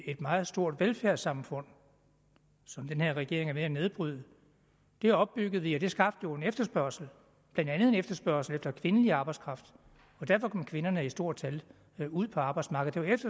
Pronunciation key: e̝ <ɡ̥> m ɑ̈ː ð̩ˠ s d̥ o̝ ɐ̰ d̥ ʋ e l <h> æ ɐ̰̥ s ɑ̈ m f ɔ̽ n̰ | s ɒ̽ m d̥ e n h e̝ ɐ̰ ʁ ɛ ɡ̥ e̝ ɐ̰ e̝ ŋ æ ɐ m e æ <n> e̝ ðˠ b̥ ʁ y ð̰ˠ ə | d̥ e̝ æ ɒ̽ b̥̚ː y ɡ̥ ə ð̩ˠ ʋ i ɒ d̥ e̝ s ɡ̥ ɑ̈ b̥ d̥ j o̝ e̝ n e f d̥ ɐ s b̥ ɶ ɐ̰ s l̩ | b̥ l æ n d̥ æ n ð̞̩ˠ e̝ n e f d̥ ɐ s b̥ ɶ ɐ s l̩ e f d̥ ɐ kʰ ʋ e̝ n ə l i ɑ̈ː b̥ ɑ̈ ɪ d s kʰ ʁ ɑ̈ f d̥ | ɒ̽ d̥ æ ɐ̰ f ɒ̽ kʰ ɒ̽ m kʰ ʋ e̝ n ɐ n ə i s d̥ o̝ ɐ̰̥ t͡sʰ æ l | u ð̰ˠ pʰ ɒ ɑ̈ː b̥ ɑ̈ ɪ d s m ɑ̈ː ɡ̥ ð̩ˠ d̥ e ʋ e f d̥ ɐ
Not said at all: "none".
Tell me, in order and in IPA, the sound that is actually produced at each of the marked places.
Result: d̥, f, n

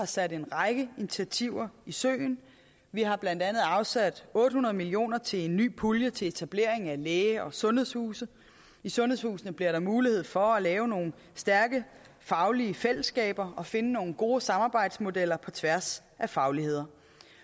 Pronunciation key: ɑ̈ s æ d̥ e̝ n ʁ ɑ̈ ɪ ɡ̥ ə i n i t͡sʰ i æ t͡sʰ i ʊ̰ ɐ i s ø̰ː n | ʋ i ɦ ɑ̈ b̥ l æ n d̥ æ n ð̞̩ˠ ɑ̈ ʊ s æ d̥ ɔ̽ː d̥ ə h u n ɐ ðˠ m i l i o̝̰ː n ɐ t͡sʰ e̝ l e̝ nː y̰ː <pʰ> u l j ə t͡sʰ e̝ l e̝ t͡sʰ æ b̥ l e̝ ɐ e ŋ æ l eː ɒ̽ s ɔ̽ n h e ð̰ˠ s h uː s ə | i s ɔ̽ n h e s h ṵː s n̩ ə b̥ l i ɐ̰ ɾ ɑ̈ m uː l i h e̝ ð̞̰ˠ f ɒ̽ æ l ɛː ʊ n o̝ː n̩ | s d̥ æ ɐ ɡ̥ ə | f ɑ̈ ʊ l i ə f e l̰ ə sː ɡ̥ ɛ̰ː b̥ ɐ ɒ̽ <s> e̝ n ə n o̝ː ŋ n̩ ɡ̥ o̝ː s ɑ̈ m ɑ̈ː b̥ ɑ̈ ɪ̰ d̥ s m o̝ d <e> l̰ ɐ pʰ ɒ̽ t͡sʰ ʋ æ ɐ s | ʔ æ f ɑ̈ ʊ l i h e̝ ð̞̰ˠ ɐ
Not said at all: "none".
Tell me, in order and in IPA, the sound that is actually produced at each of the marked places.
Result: pʰ, f, e

